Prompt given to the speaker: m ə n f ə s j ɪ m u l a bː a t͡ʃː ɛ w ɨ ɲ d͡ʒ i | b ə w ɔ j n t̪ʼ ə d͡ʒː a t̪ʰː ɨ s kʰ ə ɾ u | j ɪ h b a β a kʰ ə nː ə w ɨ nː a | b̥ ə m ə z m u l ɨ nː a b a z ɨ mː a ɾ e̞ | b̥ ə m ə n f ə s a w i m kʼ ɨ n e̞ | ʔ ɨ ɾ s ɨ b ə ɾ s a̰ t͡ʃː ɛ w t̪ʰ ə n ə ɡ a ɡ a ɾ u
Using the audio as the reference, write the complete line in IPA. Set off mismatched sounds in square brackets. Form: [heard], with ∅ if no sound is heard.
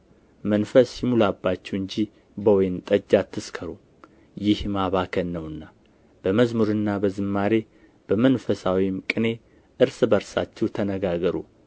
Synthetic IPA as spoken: m ə n f ə s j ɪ m u l a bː a t͡ʃː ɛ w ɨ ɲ d͡ʒ i | b ə w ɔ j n t̪ʼ ə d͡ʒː a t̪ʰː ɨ s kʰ ə ɾ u | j ɪ h [m] a β a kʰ ə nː ə w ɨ nː a | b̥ ə m ə z m u [ɾ] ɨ nː a b [ə] z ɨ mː a ɾ e̞ | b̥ ə m ə n f ə s a w i m kʼ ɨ n e̞ | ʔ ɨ ɾ s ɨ b ə ɾ s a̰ t͡ʃː ɛ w t̪ʰ ə n ə ɡ a ɡ [ə] ɾ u